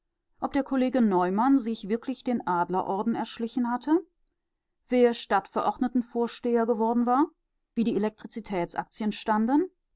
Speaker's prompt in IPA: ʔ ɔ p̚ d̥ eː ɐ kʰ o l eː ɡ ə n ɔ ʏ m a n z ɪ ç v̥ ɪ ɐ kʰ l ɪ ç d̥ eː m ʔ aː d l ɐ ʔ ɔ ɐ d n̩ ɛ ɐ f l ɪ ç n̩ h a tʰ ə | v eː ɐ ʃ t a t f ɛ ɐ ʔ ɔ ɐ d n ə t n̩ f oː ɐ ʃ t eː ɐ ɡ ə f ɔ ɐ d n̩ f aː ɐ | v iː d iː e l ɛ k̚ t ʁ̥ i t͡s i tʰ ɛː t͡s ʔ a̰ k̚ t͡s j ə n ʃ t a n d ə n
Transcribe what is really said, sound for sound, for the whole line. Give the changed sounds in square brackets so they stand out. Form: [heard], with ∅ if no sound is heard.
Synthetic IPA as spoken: ʔ ɔ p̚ d̥ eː ɐ kʰ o l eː ɡ ə n ɔ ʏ m a n z ɪ ç v̥ ɪ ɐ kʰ l ɪ ç d̥ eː [n] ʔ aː d l ɐ ʔ ɔ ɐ d n̩ ɛ ɐ [ʃ] l ɪ ç n̩ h a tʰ ə | v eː ɐ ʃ t a t f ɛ ɐ ʔ ɔ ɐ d n ə t n̩ f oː ɐ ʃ t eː ɐ ɡ ə [v] ɔ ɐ d n̩ [v] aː ɐ | v iː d iː e l ɛ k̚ t ʁ̥ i t͡s i tʰ ɛː t͡s ʔ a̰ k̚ t͡s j ə n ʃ t a n d ə n